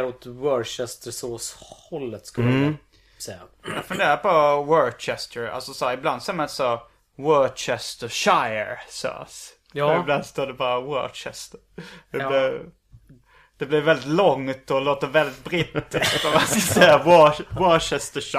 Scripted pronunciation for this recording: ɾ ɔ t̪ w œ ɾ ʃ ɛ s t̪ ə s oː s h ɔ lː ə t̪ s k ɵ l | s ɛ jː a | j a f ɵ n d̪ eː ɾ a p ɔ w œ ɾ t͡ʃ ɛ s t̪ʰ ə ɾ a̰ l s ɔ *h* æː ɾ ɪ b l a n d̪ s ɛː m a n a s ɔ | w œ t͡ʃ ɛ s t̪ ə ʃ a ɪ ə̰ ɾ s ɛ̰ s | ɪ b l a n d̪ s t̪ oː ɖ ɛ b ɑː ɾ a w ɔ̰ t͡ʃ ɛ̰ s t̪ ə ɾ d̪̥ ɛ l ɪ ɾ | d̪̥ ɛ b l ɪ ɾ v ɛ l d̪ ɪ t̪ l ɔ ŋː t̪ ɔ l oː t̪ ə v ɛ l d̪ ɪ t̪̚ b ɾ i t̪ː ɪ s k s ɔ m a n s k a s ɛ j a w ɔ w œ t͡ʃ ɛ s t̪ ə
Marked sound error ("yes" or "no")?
yes